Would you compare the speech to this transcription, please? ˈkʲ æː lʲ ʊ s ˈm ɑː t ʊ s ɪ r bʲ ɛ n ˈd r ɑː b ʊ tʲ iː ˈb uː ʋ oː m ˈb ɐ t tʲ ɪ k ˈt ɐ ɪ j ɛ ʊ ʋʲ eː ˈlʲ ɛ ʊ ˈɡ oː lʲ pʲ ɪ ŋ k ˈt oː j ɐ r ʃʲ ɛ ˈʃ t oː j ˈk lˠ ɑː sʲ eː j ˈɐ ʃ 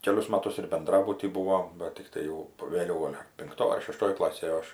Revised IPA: ˈkʲ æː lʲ ʊ s ˈm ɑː t ʊ s ɪ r bʲ ɛ n ˈd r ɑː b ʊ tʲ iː ˈb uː ʋ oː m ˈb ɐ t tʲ ɪ k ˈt ɐ ɪ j ɛ ʊ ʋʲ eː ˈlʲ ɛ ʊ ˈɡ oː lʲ pʲ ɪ ŋ k ˈt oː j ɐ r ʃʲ ɛ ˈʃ t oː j ˈk lˠ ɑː sʲ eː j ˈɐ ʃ